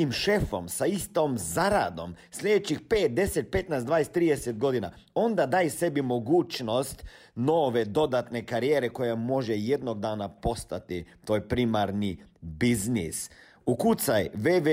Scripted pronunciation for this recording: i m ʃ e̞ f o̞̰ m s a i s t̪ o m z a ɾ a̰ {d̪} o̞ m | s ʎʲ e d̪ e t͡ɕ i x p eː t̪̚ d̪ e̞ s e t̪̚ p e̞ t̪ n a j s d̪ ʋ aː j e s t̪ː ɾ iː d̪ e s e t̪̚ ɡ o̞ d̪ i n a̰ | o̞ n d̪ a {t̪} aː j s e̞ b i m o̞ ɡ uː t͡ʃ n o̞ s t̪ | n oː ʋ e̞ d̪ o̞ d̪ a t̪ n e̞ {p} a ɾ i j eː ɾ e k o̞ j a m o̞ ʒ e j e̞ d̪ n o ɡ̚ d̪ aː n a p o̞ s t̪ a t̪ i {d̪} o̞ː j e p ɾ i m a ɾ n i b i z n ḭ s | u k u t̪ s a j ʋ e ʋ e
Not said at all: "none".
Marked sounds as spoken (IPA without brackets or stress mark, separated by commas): d̪, d̪, k, t̪